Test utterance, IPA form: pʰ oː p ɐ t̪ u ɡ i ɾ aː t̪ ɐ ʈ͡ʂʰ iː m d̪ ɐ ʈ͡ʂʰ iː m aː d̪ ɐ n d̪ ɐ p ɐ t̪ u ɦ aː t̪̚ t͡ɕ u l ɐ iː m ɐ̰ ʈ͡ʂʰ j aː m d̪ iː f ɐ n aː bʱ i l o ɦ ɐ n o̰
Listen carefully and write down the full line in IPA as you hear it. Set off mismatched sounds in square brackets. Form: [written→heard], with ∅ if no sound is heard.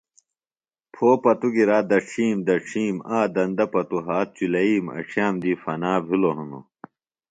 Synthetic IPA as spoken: pʰ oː p ɐ t̪ u ɡ i ɾ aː [t̪→d̪] ɐ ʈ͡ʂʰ iː m d̪ ɐ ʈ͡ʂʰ iː m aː d̪ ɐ n d̪ ɐ p ɐ t̪ u ɦ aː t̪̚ t͡ɕ u l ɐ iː m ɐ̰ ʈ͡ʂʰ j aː m d̪ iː f ɐ n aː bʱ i l o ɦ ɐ n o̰